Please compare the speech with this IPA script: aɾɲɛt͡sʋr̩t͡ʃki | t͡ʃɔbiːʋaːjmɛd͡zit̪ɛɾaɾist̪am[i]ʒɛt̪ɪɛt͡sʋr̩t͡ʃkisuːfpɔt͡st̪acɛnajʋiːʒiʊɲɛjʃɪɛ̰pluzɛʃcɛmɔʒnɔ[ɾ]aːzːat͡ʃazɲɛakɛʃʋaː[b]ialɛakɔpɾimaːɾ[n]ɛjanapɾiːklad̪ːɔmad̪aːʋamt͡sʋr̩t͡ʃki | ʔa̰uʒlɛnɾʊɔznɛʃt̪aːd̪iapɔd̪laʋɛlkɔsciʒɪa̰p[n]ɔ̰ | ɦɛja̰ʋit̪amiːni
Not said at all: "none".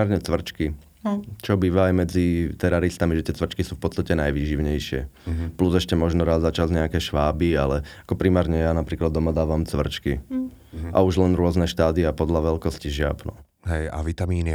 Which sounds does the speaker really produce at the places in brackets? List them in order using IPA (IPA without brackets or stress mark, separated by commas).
i, ɾ, b, ɲ, n